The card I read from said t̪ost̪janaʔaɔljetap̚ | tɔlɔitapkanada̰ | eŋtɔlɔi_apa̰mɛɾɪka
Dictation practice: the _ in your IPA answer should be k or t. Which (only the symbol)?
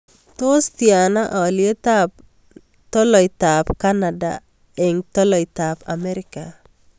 t